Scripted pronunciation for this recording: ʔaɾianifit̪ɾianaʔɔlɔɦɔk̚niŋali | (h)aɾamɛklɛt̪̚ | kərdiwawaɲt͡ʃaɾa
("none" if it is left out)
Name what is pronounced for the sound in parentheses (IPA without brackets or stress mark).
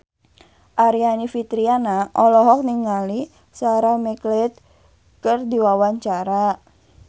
s